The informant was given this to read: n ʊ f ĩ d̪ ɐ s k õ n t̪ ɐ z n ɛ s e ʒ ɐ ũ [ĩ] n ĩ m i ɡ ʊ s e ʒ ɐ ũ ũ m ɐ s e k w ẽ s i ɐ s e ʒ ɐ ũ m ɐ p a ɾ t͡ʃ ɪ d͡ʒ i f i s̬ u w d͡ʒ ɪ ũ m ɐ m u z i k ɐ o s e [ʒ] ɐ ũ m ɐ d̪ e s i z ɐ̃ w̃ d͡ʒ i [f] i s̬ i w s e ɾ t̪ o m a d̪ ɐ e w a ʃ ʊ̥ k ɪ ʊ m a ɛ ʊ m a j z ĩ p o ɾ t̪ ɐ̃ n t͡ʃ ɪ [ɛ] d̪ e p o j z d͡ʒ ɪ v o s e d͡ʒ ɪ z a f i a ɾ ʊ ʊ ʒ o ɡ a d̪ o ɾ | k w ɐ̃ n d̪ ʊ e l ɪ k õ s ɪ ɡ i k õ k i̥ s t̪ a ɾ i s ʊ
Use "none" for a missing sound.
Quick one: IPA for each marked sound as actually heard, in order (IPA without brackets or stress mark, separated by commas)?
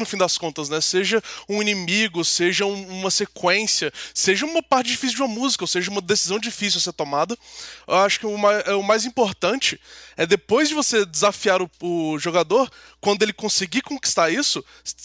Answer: i, ʒ, f, ɛ